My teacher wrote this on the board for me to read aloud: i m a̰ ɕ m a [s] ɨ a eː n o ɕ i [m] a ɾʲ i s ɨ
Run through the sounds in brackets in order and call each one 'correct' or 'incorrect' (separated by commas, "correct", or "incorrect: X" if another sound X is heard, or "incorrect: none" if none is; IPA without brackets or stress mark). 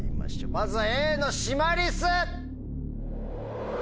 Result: incorrect: z, correct